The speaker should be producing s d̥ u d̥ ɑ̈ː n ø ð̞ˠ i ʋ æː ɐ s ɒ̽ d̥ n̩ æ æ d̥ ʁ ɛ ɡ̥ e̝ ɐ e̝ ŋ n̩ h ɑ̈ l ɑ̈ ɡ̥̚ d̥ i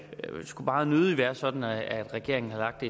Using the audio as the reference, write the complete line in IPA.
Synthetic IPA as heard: s ɡ̥ u b̥ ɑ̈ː n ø ð̞ˠ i ʋ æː ɐ s ɒ̽ d̥ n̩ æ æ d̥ ʁ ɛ ɡ̥ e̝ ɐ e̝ ŋ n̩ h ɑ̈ l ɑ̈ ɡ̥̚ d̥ e